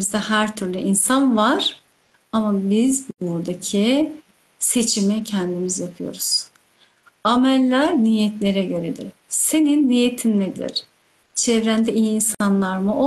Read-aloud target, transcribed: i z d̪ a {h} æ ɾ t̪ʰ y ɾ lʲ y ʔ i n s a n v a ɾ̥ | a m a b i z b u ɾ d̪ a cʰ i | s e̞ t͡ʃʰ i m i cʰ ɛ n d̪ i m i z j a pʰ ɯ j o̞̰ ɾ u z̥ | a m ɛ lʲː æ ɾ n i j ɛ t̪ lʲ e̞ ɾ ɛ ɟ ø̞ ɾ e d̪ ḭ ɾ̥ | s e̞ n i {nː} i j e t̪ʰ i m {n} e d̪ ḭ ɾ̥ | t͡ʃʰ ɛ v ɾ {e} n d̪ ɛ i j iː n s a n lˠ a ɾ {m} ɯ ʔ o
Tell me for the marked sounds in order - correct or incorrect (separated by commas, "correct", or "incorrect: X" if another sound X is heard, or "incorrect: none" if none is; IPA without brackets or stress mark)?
correct, correct, correct, incorrect: æ, correct